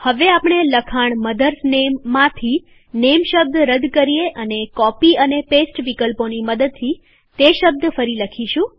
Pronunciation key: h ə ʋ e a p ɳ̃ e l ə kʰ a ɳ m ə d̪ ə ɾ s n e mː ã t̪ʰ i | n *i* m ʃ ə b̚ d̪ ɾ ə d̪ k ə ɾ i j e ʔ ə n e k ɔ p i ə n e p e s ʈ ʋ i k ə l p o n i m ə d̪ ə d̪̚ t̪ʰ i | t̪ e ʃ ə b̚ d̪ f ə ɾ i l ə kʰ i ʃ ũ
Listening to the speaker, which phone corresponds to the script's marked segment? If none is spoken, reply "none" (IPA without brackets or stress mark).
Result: e